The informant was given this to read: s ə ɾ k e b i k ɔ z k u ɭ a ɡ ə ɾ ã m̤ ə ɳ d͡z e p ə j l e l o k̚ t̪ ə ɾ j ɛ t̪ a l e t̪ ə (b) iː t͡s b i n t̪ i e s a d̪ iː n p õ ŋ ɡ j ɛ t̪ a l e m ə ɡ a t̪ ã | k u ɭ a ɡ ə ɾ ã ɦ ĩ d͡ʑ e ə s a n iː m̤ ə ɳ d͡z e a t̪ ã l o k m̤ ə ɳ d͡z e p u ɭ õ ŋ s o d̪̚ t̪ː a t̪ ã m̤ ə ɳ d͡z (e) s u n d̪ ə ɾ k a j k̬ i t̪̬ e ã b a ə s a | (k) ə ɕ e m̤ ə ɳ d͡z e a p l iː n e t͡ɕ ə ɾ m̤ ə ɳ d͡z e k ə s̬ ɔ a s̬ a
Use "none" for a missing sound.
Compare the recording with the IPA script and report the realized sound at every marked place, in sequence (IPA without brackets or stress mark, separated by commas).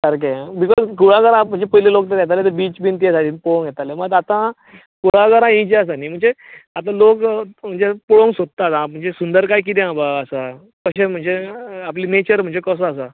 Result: b, e, k